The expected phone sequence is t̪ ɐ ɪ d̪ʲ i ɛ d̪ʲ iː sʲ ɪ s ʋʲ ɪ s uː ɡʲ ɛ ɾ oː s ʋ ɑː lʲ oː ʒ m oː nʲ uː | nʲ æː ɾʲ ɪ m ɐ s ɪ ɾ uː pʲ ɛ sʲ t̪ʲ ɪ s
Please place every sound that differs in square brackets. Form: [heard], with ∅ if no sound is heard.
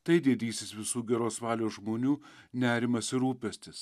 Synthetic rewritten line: t̪ ɐ ɪ d̪ʲ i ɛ d̪ʲ iː sʲ ɪ s ʋʲ ɪ s uː ɡʲ ɛ ɾ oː s ʋ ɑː lʲ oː ʒ m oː nʲ uː | nʲ æː ɾʲ ɪ m ɐ s ɪ ɾ uː pʲ ɛ sʲ t̪ʲ ɪ s